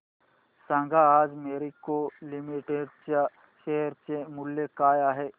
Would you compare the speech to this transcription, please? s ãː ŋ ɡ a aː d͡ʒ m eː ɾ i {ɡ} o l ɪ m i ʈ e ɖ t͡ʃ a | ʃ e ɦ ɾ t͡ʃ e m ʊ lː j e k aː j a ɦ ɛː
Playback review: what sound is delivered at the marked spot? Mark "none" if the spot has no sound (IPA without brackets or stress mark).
k